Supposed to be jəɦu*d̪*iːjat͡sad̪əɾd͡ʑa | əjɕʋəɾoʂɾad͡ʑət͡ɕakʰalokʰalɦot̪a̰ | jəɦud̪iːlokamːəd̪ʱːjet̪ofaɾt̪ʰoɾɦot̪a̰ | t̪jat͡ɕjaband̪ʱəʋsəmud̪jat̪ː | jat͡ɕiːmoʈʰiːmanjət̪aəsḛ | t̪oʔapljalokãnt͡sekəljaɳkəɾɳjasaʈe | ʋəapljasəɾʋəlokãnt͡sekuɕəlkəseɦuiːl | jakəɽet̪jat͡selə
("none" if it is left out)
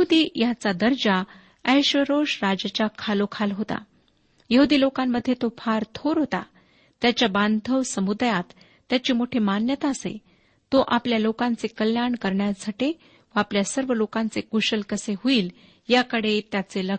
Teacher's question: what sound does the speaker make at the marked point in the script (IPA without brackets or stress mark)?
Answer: d̪